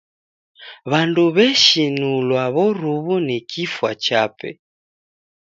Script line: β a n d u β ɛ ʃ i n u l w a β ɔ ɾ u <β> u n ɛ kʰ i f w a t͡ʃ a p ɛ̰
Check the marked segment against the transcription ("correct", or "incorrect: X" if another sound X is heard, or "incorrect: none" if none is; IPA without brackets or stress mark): correct